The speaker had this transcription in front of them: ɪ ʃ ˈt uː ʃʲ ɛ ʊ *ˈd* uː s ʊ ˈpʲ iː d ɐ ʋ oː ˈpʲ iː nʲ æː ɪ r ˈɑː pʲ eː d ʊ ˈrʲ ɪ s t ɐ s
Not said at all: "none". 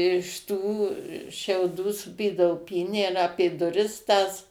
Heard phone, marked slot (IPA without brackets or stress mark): d